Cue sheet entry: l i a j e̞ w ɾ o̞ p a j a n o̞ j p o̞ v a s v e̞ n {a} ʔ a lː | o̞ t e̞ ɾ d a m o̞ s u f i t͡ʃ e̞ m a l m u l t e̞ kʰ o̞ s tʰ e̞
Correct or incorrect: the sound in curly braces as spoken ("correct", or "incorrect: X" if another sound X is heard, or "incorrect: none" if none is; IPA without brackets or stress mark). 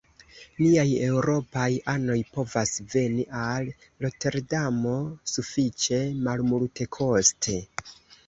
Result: incorrect: i